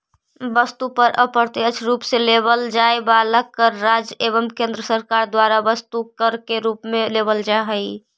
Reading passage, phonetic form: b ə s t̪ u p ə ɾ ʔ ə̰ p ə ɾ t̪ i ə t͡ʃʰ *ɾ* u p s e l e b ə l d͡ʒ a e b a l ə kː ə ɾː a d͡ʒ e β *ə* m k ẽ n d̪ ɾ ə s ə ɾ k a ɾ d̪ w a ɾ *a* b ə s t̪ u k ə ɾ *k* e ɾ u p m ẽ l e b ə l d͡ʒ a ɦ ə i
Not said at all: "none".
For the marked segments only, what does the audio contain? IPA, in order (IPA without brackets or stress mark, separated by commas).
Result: ɾ, ə, a, k